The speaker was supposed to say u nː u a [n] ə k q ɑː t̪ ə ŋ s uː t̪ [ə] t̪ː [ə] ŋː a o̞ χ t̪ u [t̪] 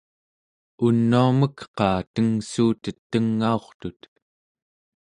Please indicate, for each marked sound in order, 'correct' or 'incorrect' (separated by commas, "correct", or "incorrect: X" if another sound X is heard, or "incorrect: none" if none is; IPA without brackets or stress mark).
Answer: incorrect: m, correct, correct, correct